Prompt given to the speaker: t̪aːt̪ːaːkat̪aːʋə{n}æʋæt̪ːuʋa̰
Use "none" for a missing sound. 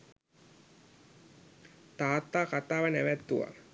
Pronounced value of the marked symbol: n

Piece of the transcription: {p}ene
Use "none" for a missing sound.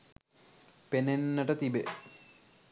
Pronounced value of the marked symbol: p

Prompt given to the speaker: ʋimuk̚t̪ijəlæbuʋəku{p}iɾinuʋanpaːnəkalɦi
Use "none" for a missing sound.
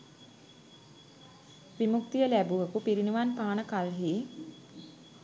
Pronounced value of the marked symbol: p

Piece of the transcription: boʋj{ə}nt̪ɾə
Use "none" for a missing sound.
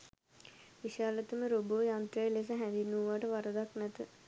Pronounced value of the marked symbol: a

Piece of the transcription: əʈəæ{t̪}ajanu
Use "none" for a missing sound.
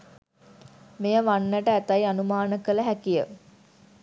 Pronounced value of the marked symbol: t̪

